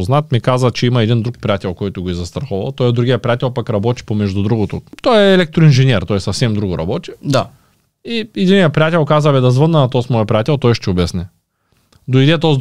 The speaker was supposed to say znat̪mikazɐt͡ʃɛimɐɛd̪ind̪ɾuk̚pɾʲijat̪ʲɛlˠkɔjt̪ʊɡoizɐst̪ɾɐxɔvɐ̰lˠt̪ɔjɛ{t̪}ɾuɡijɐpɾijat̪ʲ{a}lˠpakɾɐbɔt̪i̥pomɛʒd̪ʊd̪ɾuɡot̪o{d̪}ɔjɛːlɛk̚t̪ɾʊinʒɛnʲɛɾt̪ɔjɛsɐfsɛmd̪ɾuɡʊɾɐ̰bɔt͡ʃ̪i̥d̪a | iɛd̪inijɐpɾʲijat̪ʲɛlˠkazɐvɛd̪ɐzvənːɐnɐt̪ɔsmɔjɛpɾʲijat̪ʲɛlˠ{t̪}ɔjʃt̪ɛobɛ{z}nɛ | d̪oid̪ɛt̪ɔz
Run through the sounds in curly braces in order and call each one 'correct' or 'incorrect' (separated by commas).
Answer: incorrect, incorrect, incorrect, correct, incorrect